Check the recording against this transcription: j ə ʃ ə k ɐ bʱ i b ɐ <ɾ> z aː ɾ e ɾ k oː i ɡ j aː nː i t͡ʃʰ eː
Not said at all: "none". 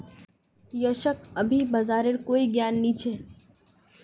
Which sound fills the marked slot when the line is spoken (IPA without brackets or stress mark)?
none